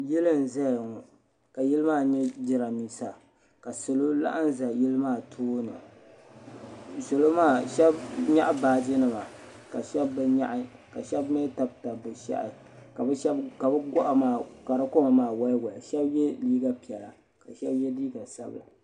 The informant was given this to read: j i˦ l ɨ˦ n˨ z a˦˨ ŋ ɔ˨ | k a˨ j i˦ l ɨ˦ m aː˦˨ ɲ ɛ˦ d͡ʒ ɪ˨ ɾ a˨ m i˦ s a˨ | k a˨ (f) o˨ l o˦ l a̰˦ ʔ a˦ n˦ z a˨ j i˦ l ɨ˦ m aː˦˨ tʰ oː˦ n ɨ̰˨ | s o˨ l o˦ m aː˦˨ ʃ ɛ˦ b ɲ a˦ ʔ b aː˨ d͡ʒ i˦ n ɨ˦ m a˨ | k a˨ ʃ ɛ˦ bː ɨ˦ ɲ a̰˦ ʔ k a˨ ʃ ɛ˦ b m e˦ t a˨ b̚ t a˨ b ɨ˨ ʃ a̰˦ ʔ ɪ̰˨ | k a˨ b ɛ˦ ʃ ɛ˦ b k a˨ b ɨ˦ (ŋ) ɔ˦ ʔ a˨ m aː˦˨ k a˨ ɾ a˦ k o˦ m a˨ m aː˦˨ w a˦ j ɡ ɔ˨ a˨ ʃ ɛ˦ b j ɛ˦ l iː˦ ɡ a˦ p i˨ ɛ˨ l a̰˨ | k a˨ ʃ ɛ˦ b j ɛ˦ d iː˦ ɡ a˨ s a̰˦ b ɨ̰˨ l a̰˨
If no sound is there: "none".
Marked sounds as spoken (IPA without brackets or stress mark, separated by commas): s, ɡ